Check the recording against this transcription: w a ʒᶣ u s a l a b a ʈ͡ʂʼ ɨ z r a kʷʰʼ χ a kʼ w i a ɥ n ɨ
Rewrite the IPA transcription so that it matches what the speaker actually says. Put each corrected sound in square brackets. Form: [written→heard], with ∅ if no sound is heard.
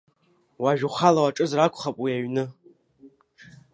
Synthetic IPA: w a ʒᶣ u [s→χ] a l a [b→w] a ʈ͡ʂʼ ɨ z r a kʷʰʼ χ a [kʼ→pʼ] w i a ɥ n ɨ